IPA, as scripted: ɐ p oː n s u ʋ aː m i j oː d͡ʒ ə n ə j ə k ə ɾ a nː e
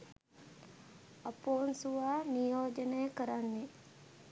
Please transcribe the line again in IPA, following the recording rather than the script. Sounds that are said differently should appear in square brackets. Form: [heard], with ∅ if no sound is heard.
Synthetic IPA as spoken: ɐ p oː n s u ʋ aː [n] i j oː d͡ʒ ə n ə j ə k ə ɾ a nː e

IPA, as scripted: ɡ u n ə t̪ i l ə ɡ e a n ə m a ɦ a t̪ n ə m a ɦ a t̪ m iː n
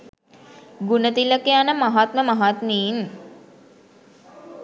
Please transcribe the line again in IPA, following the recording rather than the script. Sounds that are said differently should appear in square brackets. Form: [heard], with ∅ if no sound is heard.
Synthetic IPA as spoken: ɡ u n ə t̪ i l ə [k] e a n ə m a ɦ a t̪ [m] ə m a ɦ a t̪ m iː n

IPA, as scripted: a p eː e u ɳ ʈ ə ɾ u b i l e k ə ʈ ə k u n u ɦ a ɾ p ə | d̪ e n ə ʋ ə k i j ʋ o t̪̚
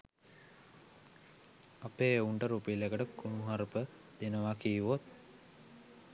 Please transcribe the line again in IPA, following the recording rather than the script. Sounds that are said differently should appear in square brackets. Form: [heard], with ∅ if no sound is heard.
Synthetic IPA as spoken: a p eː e u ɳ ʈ ə ɾ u [p] i l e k ə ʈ ə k u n u ɦ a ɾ p ə | d̪ e n ə ʋ [a] k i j ʋ o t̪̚

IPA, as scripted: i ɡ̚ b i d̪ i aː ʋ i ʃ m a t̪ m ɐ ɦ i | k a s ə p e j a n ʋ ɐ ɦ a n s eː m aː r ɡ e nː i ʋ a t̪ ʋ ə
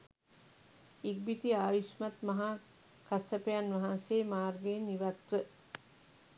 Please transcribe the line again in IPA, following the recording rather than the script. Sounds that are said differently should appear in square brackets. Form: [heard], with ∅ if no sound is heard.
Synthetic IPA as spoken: i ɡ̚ b i [t̪] i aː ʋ i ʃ m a t̪ m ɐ ɦ [a] | k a s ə p e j a n ʋ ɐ ɦ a n s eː m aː r ɡ e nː i ʋ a t̪ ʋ ə

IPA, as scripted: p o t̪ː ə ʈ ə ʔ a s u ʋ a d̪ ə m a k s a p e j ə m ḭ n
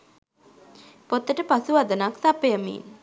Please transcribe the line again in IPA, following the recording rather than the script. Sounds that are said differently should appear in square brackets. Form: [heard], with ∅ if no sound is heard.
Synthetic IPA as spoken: p o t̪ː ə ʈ ə [p] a s u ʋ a d̪ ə [n] a k s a p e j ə m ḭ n

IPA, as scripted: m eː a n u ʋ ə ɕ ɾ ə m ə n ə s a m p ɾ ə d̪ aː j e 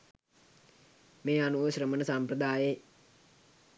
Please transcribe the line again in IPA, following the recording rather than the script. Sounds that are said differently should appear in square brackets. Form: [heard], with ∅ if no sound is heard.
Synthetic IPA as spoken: m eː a n u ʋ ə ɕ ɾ ə m ə n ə s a m p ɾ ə d̪ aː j e

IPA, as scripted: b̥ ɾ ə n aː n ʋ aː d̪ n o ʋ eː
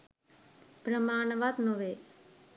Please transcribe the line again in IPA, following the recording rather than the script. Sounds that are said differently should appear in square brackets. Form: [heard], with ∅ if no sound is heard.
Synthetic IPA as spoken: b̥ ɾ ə [m] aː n ʋ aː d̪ n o ʋ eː

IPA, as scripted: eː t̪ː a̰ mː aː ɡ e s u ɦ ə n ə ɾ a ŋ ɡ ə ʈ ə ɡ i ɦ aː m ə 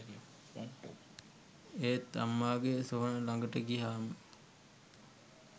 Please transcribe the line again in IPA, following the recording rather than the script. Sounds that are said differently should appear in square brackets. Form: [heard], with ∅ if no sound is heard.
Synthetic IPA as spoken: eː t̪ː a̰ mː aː ɡ e s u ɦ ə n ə [l] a ŋ ɡ ə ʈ ə ɡ i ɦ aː m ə

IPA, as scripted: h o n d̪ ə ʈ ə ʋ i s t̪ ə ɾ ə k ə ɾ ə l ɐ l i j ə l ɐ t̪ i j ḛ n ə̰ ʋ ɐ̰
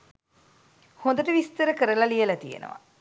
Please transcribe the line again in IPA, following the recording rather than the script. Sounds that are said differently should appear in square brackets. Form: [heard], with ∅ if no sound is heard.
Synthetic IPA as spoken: h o n d̪ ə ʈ ə ʋ i s t̪ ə ɾ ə k ə ɾ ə l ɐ l i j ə l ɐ t̪ i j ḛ n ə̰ ʋ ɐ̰

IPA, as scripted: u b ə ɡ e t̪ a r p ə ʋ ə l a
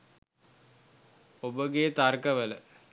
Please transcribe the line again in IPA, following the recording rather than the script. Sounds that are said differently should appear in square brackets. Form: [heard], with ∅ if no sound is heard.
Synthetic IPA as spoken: [o] b ə ɡ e t̪ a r [k] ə ʋ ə l [ə]

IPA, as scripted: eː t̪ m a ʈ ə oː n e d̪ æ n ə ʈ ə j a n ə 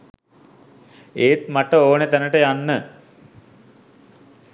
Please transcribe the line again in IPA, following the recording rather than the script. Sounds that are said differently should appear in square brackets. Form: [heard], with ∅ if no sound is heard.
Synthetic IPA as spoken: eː t̪ m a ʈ ə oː n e [t̪] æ n ə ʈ ə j a [nː] ə

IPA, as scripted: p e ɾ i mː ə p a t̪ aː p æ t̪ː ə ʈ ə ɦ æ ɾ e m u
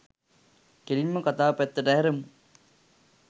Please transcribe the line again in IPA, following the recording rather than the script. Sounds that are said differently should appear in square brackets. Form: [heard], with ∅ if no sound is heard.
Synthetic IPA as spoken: [k] e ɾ i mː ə [k] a t̪ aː p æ t̪ː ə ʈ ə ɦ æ ɾ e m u

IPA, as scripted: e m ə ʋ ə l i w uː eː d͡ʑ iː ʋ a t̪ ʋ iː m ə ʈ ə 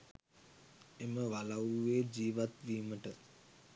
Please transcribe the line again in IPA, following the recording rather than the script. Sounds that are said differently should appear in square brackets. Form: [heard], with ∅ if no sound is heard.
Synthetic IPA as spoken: e m ə ʋ [a] l [a] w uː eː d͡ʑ iː ʋ a t̪ ʋ iː m ə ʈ ə

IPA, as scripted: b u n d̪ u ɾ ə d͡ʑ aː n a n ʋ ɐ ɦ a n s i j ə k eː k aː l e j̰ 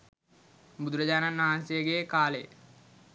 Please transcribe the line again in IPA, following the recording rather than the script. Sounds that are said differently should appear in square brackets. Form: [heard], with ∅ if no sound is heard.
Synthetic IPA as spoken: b u [∅] d̪ u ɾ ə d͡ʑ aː n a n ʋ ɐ ɦ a n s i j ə [ɡ] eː k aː l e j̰

